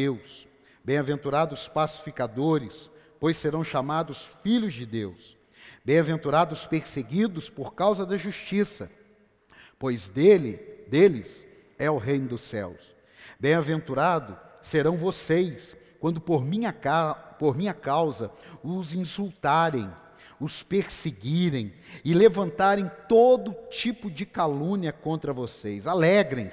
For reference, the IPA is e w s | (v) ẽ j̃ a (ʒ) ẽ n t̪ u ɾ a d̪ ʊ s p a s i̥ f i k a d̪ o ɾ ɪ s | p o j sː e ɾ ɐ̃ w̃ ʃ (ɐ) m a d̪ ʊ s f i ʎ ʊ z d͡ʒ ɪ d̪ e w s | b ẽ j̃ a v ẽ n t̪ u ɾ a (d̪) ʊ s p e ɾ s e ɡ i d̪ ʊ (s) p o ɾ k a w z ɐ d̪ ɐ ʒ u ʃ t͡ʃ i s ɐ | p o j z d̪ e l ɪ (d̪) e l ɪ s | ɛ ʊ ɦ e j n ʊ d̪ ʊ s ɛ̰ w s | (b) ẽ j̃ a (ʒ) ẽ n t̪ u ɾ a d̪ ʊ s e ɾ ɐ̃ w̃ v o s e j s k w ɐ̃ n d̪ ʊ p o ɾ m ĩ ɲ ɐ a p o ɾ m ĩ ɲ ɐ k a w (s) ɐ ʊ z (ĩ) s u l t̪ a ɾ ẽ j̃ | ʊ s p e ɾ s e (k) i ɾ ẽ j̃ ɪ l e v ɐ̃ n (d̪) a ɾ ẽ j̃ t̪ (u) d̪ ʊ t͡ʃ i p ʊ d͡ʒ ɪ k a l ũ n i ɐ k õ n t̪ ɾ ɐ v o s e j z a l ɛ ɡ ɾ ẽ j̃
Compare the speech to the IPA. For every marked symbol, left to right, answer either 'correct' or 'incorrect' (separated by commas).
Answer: incorrect, incorrect, incorrect, correct, correct, correct, correct, incorrect, incorrect, correct, incorrect, incorrect, incorrect